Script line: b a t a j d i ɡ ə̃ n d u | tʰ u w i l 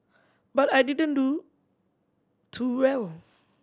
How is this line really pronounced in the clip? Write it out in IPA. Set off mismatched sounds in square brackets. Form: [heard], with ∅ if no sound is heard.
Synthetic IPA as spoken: b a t a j d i [d] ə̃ n d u | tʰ u w [ɛ] l